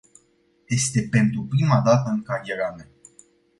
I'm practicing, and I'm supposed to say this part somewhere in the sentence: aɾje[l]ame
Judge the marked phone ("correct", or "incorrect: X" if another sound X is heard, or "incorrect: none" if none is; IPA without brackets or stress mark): incorrect: ɾ